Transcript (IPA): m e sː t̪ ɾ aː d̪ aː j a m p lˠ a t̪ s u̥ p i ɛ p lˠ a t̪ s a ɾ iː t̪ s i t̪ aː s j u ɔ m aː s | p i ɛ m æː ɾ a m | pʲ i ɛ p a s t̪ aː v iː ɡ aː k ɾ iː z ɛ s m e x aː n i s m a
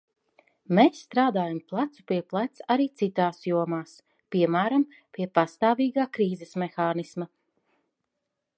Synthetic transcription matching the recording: m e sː t̪ ɾ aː d̪ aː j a m p lˠ a t̪ s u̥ p i ɛ p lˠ a t̪ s a ɾ iː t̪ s i t̪ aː s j u ɔ m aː s | p i ɛ m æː ɾ a m | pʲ i ɛ p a s t̪ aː v iː ɡ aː k ɾ iː z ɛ s m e x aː n i s m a